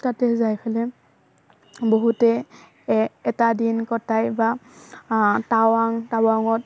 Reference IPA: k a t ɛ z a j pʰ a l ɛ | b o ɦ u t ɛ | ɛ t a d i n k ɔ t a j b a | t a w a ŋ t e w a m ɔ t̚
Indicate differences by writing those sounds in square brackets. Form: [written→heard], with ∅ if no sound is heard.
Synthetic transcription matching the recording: [k→t] a t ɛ z a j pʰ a l ɛ | b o ɦ u t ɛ | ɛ t a d i n k ɔ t a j b a | t a w a ŋ t [e→a] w a [m→ŋ] ɔ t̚